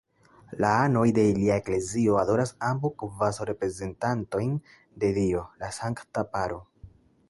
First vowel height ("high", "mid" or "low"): low